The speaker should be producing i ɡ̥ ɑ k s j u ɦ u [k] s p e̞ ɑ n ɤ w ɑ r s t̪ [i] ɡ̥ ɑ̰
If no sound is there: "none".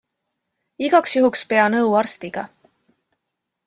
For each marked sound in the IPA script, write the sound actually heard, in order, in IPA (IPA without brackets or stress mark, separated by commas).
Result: k, i